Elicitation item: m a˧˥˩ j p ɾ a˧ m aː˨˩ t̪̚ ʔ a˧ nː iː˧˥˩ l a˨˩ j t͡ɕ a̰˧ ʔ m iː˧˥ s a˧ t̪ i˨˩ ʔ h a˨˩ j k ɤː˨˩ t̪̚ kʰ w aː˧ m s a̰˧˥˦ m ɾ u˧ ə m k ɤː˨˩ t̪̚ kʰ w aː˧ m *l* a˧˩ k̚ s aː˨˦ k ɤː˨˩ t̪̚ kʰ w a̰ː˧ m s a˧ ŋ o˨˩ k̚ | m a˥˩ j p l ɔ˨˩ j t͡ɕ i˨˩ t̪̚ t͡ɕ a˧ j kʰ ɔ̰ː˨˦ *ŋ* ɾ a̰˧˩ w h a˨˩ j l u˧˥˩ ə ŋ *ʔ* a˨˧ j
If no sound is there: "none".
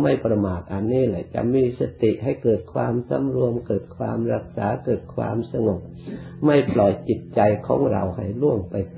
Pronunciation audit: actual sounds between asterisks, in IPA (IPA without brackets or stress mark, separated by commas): ɾ, ŋ, p